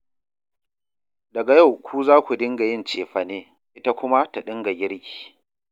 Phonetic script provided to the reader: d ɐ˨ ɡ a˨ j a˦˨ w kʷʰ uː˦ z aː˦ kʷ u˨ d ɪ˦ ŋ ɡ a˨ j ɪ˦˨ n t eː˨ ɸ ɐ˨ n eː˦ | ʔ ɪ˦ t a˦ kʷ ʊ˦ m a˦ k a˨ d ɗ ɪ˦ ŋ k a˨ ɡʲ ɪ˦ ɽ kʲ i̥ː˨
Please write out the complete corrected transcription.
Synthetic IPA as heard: d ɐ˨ ɡ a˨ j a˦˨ w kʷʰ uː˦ z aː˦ kʷ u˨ d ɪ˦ ŋ ɡ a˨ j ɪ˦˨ n t͡ʃ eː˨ ɸ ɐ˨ n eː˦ | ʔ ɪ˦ t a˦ kʷ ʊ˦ m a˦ t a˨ ɗ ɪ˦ ŋ ɡ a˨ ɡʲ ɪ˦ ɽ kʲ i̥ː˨